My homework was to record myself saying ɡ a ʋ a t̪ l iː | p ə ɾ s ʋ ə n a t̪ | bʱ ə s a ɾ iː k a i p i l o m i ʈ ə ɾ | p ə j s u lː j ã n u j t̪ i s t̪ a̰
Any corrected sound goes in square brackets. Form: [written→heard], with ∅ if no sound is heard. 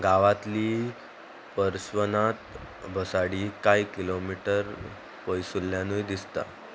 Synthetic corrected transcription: ɡ a ʋ a t̪ l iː | p ə ɾ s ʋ ə n a t̪ | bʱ ə s a [ɾ→ɽ] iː k a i [p→k] i l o m i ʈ ə ɾ | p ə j s u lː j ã n u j [t̪→d̪] i s t̪ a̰